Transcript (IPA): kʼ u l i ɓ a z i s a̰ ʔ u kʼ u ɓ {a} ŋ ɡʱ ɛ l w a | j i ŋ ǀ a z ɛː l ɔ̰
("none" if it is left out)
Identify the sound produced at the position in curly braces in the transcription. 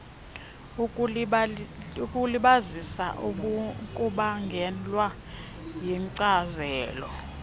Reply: a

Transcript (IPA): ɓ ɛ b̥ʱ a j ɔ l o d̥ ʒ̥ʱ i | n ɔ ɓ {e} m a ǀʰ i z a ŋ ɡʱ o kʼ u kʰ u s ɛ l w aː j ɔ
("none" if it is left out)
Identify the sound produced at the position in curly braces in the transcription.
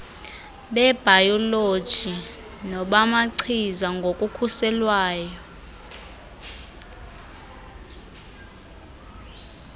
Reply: a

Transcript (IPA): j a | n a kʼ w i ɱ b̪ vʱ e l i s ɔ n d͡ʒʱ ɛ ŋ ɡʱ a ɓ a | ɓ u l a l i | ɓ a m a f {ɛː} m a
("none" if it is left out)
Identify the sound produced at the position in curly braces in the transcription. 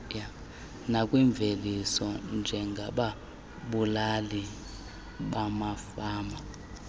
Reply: aː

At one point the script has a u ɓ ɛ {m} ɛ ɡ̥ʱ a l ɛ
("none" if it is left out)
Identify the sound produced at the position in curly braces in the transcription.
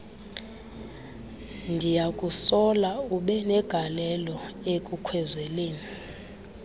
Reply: n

